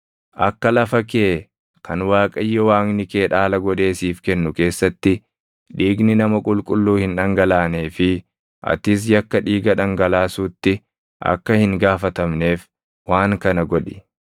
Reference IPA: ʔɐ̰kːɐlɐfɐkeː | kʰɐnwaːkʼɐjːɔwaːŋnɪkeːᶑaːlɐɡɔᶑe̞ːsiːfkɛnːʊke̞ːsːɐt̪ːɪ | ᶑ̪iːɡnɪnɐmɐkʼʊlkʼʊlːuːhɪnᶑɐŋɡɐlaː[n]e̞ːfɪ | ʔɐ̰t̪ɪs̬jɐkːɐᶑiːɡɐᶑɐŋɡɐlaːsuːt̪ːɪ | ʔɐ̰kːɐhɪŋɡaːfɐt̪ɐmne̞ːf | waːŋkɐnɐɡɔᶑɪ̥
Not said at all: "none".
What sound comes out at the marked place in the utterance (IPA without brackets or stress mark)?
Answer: n